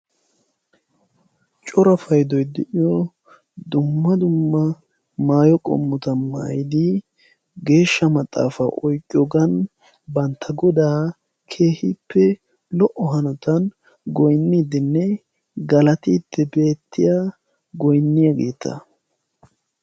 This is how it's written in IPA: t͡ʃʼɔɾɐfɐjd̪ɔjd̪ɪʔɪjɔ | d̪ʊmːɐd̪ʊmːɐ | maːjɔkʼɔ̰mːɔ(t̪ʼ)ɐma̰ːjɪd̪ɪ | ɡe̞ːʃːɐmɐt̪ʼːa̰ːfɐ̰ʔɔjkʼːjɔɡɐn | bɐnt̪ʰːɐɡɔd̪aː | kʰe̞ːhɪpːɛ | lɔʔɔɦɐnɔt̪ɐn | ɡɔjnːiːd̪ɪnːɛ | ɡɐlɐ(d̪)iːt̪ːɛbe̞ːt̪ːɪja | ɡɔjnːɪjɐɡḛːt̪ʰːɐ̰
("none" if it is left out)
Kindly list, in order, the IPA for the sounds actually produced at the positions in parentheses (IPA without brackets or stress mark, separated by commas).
t̪, t̪